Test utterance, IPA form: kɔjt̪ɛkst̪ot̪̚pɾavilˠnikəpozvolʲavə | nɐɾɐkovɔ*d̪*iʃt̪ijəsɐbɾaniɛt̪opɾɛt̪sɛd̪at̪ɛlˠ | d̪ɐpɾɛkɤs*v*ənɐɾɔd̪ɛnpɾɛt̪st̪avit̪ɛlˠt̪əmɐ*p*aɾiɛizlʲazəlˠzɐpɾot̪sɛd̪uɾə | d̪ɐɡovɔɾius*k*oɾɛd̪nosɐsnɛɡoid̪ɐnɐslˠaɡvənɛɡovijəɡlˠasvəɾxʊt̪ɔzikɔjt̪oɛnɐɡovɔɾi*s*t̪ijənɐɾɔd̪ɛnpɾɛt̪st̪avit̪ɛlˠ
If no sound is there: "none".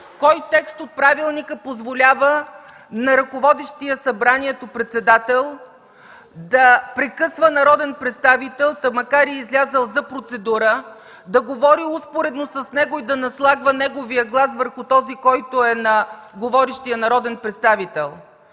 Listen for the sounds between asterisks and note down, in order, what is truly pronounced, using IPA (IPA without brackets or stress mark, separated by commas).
d̪, v, k, p, ʃ